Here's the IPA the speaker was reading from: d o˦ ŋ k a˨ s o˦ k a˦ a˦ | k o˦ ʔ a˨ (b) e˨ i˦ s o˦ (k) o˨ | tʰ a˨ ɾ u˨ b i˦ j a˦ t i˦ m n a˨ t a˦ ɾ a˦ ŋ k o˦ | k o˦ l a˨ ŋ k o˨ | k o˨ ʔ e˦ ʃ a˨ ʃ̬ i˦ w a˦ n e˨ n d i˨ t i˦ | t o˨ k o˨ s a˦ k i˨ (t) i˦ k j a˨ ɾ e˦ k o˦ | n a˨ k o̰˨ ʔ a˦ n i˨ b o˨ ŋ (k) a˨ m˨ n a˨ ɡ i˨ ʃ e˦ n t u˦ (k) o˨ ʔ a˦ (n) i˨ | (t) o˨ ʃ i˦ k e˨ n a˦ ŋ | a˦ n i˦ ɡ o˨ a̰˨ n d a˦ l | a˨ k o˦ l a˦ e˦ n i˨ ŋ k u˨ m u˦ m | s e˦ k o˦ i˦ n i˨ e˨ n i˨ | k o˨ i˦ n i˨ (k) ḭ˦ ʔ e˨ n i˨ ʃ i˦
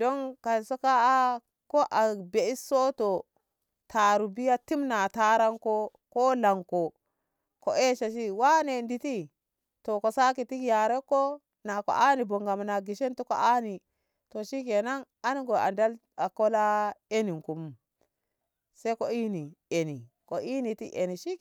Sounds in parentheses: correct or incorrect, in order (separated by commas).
correct, incorrect, correct, incorrect, correct, correct, correct, incorrect